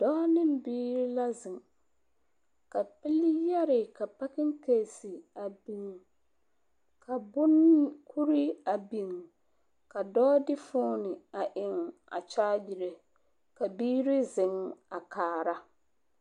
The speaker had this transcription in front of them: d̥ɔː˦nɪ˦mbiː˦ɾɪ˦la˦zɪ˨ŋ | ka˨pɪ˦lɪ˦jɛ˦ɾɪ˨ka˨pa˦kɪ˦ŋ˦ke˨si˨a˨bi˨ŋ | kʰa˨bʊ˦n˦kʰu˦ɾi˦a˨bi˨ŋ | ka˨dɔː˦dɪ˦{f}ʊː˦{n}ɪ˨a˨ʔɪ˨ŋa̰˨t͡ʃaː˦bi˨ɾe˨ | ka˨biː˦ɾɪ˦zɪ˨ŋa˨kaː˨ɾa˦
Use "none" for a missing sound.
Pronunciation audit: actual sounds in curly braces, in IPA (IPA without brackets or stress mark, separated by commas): f, n